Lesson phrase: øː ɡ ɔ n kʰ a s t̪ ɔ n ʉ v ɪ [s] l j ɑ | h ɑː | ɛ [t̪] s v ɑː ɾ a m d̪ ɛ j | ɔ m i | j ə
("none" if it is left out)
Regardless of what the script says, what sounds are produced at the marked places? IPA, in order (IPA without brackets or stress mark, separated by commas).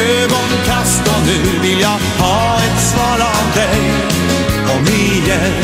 none, t̪